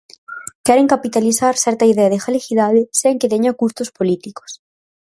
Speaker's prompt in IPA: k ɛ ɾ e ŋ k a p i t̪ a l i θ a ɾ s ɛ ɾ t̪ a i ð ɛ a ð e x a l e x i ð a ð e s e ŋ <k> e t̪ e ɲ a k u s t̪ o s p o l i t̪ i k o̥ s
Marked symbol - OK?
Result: yes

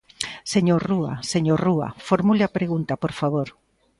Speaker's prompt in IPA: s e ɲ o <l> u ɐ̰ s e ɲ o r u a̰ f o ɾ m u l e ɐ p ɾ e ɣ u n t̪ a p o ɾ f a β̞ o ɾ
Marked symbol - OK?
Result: no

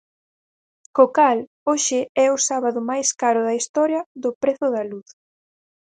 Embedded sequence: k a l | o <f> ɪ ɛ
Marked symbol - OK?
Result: no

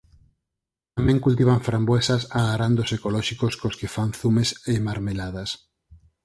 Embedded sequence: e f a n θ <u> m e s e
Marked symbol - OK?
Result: yes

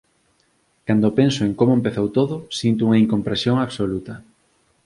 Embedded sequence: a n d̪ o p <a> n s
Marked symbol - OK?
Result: no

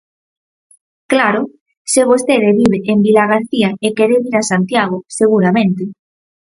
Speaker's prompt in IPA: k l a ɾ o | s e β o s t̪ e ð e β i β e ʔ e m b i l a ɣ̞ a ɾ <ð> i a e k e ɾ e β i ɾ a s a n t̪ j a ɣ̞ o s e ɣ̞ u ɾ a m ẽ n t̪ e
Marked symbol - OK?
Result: no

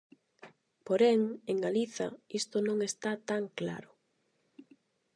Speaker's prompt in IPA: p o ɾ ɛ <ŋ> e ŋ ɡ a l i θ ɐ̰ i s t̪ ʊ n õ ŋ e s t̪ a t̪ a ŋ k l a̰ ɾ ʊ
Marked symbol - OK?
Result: yes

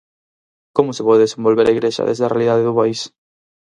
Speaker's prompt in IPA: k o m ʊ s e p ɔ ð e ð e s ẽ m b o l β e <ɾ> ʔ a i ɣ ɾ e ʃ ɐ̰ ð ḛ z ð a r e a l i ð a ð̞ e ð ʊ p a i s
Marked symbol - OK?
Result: yes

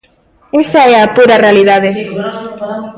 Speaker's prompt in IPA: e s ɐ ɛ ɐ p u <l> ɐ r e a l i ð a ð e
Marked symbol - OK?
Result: no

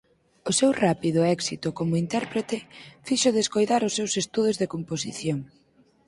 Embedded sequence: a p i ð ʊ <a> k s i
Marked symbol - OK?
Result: no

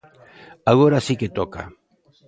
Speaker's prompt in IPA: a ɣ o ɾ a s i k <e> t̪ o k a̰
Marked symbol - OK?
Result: yes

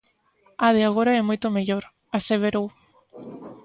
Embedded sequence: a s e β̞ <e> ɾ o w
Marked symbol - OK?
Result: yes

